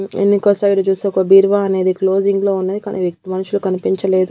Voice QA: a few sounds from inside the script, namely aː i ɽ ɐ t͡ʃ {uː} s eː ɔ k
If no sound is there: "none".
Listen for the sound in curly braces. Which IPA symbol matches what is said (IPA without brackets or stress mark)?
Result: uː